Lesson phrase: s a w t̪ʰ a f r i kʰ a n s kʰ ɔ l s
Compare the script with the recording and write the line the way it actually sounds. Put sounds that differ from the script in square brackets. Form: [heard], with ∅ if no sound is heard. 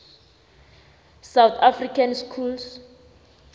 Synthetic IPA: s a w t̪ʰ a f r i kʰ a n s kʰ [u] l s